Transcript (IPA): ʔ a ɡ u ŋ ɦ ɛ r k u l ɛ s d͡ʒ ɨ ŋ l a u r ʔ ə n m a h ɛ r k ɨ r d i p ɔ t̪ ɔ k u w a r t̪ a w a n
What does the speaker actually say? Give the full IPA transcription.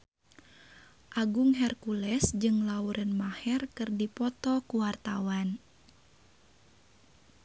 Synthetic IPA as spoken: ʔ a ɡ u ŋ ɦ ɛ r k u l ɛ s d͡ʒ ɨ ŋ l a u ɾ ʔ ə n m a h ɛ r k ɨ r d i p ɔ t̪ ɔ k u w a r t̪ a w a n

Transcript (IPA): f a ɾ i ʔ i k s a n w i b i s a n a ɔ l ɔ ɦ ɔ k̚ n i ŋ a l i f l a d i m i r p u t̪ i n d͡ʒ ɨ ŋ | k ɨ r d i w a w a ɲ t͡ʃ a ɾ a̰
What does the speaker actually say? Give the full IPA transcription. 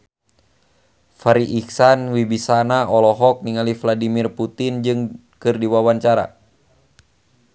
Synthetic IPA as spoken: f a ɾ i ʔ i k s a n w i b i s a n a ɔ l ɔ ɦ ɔ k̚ n i ŋ a l i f l a d i m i r p u t̪ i n d͡ʒ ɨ ŋ | k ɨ r d i w a w a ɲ t͡ʃ a ɾ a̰

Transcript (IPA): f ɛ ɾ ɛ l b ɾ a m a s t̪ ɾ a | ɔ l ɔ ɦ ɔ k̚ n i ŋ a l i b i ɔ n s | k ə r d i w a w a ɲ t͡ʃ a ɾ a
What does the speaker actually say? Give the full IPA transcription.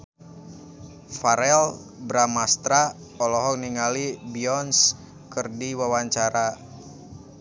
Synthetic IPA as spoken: f a ɾ ɛ l b ɾ a m a s t̪ ɾ a | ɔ l ɔ ɦ ɔ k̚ n i ŋ a l i b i ɔ n s | k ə r d i w a w a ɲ t͡ʃ a ɾ a

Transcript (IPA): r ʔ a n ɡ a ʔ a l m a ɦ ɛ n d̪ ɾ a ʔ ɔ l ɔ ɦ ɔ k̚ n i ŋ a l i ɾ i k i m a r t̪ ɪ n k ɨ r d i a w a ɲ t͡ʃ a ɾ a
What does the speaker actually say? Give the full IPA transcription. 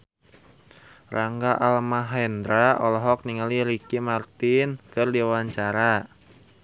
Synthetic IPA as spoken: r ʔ a ŋ ɡ a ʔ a l m a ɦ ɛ n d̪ ɾ a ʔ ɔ l ɔ ɦ ɔ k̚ n i ŋ a l i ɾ i k i m a r t̪ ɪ n k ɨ r d i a w a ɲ t͡ʃ a ɾ a

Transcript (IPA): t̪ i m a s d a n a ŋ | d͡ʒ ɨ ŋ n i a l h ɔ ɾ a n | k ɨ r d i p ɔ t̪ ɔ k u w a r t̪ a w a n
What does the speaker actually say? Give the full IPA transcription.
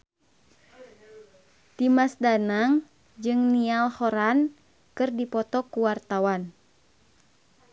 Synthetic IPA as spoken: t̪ i m a s d a n a ŋ | d͡ʒ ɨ ŋ n i a l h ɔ ɾ a n | k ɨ r d i p ɔ t̪ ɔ k u w a r t̪ a w a n

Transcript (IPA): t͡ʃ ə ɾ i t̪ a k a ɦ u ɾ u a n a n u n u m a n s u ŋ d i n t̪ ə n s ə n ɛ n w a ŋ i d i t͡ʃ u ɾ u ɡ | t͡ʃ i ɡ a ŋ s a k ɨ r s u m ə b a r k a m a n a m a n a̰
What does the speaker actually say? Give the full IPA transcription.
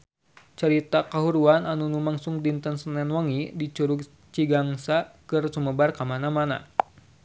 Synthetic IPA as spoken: t͡ʃ ə ɾ i t̪ a k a ɦ u ɾ u a n a n u n u m a ŋ s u ŋ d i n t̪ ə n s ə n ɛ n w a ŋ i d i t͡ʃ u ɾ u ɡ | t͡ʃ i ɡ a ŋ s a k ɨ r s u m ə b a r k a m a n a m a n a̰

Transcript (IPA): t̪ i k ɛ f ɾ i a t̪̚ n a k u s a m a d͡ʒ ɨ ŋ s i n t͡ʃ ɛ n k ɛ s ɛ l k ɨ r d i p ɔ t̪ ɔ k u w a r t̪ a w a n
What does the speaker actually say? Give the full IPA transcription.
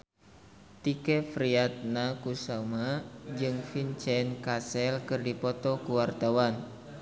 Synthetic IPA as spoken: t̪ i k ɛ f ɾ i a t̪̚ n a k u s a m a d͡ʒ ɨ ŋ f i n t͡ʃ ɛ n k a s ɛ l k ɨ r d i p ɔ t̪ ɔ k u w a r t̪ a w a n

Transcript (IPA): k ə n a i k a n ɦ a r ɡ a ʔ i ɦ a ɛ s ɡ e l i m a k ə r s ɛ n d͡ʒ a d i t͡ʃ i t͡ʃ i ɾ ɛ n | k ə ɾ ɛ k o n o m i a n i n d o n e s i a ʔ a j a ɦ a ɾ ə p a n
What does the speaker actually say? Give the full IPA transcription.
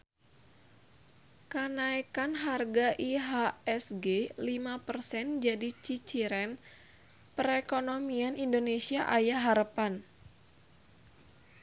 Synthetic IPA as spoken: k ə n a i k a n ɦ a r ɡ a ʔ i ɦ a ɛ s ɡ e l i m a p ə r s ɛ n d͡ʒ a d i t͡ʃ i t͡ʃ i ɾ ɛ n | p ə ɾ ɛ k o n o m i a n i n d o n e s i a ʔ a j a ɦ a ɾ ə p a n

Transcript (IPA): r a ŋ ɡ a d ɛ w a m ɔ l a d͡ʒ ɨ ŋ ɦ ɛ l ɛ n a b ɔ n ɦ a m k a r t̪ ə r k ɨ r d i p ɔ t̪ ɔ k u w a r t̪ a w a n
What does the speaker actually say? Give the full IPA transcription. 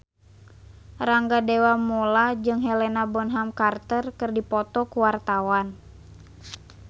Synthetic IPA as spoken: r a ŋ ɡ a d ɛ w a m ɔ l a d͡ʒ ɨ ŋ ɦ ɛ l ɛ n a b ɔ n ɦ a m k a r t̪ ə r k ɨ r d i p ɔ t̪ ɔ k u w a r t̪ a w a n

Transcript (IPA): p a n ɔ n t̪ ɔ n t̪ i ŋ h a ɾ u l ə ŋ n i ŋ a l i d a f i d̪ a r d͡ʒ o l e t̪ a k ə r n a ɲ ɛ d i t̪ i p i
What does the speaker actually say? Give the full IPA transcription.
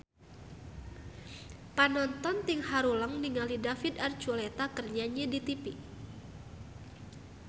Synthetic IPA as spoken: p a n ɔ n t̪ ɔ n t̪ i ŋ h a ɾ u l ə ŋ n i ŋ a l i d a f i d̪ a r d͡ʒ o l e t̪ a k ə r ɲ a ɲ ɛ d i t̪ i p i

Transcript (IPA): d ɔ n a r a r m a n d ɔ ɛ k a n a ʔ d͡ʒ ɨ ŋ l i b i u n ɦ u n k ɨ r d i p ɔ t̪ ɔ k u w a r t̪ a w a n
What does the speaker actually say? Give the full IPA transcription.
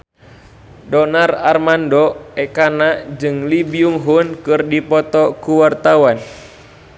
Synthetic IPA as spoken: d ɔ n a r a r m a n d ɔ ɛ k a n a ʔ d͡ʒ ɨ ŋ l i b i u ŋ ɦ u n k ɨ r d i p ɔ t̪ ɔ k u w a r t̪ a w a n

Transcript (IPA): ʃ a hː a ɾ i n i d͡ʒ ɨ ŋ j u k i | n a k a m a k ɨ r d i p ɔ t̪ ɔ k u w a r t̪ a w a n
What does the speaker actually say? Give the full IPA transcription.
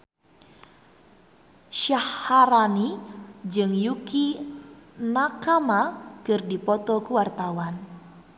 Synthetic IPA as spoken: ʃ a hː a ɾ a n i d͡ʒ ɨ ŋ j u k i | n a k a m a k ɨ r d i p ɔ t̪ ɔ k u w a r t̪ a w a n

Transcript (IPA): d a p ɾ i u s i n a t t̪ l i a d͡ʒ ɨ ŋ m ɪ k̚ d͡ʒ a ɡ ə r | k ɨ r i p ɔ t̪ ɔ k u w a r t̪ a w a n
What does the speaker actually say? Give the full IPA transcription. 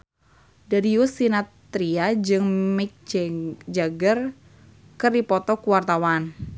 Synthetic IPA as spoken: d a ɾ i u s i n a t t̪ ɾ i a d͡ʒ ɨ ŋ m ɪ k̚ d͡ʒ a ɡ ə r | k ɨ r i p ɔ t̪ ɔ k u w a r t̪ a w a n

